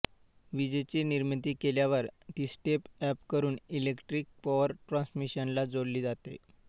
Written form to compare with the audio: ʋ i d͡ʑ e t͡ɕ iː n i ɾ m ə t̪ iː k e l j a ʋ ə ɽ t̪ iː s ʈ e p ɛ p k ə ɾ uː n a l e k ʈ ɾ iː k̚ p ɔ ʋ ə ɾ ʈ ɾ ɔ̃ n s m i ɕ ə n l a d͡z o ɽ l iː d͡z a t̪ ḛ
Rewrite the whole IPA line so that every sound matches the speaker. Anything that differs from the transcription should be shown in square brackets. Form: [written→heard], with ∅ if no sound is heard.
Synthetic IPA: ʋ i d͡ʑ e t͡ɕ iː n i ɾ m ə t̪ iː k e l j a ʋ ə [ɽ→ɾ] t̪ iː s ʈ e p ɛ p k ə ɾ uː n [a→i] l e k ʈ ɾ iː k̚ p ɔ ʋ ə ɾ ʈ ɾ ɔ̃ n s m i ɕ ə n l a d͡z o ɽ l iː d͡z a t̪ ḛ